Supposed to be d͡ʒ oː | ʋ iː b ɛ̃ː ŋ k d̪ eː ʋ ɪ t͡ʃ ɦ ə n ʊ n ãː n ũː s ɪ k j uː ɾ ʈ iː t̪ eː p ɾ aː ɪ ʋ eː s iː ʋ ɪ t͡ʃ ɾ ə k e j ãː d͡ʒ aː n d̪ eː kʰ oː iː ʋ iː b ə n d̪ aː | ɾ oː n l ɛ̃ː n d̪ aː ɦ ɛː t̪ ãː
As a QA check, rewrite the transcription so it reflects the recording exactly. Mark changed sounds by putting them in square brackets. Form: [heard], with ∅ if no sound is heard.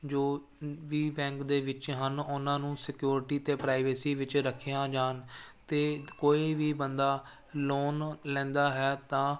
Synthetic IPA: d͡ʒ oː | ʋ iː b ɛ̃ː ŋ k d̪ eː ʋ ɪ t͡ʃ ɦ ə n ʊ n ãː n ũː s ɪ k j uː ɾ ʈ iː t̪ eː p ɾ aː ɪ ʋ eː s iː ʋ ɪ t͡ʃ ɾ ə [kʰ] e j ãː d͡ʒ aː n [t̪] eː [k] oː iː ʋ iː b ə n d̪ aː | [l] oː n l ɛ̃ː n d̪ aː ɦ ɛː t̪ ãː

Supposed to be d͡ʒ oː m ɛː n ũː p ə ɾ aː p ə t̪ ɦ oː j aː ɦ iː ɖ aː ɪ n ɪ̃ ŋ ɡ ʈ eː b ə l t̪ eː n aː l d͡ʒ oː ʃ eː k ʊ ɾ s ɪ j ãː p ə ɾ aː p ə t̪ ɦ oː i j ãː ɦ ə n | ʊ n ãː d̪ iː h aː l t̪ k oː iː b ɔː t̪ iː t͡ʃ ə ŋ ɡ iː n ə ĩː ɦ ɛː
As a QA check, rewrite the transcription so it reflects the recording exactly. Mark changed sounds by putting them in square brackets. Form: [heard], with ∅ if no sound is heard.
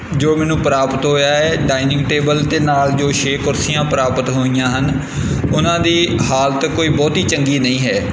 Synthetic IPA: d͡ʒ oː m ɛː n ũː p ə ɾ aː p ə t̪ ɦ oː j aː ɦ [ɛː] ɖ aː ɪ n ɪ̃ ŋ ɡ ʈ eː b ə l t̪ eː n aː l d͡ʒ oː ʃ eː k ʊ ɾ s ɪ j ãː p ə ɾ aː p ə t̪ ɦ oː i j ãː ɦ ə n | ʊ n ãː d̪ iː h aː l t̪ k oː iː b ɔː t̪ iː t͡ʃ ə ŋ ɡ iː n ə ĩː ɦ ɛː

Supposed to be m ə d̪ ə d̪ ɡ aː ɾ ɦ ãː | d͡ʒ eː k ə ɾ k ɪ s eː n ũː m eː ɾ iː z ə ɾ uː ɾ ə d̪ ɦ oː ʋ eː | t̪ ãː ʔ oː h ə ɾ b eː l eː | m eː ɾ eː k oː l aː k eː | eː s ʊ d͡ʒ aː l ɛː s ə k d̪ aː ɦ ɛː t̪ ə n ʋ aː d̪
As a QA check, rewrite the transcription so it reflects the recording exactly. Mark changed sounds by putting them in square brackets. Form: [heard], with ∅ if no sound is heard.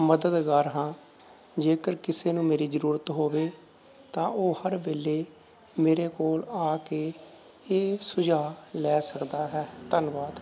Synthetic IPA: m ə d̪ ə d̪ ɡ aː ɾ ɦ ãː | d͡ʒ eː k ə ɾ k ɪ s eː n ũː m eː ɾ iː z ə ɾ uː ɾ ə [t̪] ɦ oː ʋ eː | t̪ ãː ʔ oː h ə ɾ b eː l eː | m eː ɾ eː k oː l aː k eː | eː s ʊ d͡ʒ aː l ɛː s ə k d̪ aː ɦ ɛː t̪ ə n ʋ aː d̪

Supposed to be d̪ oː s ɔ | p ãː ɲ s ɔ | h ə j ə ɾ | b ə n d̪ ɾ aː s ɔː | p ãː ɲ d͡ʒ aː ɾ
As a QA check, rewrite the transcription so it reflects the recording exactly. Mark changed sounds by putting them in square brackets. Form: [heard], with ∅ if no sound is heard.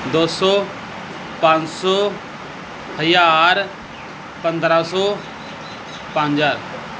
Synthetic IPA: d̪ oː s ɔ | p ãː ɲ s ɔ | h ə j [a] ɾ | [p] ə n d̪ ɾ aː s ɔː | p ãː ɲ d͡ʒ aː ɾ

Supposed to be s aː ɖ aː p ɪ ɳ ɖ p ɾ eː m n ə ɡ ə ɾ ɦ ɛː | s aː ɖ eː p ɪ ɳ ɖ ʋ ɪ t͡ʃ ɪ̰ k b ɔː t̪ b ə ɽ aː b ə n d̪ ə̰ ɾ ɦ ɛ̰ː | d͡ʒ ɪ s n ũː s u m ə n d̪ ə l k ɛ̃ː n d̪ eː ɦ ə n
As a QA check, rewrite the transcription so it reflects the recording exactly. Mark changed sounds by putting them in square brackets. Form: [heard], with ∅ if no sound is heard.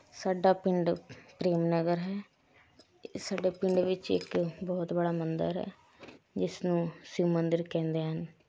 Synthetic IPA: s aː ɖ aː p ɪ ɳ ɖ p ɾ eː m n ə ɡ ə ɾ ɦ ɛː | s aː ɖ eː p ɪ ɳ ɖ ʋ ɪ t͡ʃ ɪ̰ k b ɔː t̪ b ə ɽ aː [m] ə n d̪ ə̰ ɾ ɦ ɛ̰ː | d͡ʒ ɪ s n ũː s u m ə n d̪ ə [ɾ] k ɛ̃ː n d̪ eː ɦ ə n

